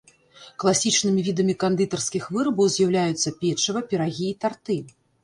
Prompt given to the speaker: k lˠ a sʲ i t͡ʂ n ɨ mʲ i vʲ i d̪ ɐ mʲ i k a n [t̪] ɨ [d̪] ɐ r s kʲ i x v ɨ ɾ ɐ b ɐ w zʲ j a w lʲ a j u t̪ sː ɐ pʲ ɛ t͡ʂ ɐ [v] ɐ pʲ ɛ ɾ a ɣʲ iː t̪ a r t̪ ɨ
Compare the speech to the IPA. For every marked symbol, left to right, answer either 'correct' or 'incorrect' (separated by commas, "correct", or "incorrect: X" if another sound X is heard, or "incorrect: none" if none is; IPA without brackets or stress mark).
incorrect: d̪, incorrect: t̪, correct